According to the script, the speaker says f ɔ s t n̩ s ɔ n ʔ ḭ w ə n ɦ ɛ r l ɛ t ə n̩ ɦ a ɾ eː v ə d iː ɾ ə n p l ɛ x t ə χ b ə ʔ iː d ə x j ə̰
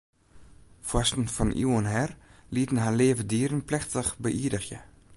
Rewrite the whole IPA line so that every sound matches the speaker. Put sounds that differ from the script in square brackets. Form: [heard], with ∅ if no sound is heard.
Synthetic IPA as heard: f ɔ s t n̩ [f] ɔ n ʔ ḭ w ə n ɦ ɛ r l [i] t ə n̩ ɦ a [l] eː v ə d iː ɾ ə n p l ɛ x t ə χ b ə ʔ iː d ə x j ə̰